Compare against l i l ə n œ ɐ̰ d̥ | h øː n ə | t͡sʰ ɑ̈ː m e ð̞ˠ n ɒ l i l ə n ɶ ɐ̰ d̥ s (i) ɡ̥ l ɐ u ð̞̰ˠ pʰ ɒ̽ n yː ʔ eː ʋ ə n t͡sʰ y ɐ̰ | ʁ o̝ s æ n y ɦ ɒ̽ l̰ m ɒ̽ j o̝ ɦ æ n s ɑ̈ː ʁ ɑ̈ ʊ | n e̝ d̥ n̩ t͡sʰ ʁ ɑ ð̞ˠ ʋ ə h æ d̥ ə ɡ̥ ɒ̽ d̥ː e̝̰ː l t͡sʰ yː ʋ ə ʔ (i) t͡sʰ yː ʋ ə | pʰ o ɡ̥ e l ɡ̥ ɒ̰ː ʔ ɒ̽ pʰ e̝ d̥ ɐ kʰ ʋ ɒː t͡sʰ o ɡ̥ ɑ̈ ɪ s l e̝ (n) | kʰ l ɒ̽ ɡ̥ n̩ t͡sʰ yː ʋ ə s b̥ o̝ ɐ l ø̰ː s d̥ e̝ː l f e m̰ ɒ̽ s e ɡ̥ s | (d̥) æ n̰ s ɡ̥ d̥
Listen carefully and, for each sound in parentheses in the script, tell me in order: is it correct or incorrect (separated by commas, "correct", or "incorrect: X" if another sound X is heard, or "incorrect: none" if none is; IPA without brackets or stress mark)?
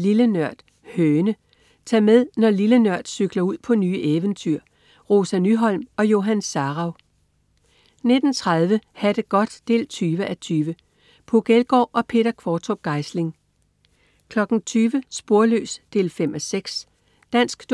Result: incorrect: y, incorrect: æ, incorrect: ŋ, correct